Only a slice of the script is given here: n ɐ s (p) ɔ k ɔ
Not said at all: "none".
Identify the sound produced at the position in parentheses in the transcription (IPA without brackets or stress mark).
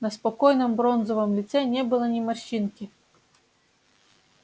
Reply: p